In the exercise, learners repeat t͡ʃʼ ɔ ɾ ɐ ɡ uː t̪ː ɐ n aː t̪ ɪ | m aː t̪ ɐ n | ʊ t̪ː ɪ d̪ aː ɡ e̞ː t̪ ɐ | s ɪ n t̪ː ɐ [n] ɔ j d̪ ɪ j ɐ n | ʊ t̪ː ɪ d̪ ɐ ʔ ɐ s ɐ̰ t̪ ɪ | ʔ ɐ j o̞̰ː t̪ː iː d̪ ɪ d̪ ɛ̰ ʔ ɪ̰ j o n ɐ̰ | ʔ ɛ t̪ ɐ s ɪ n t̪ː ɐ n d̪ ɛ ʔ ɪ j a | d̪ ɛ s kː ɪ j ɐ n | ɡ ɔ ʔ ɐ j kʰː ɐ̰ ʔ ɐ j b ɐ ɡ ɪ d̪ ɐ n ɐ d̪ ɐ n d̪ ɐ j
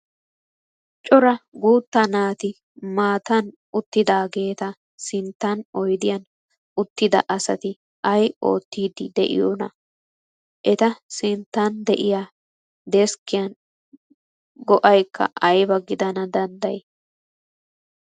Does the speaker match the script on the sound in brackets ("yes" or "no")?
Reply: yes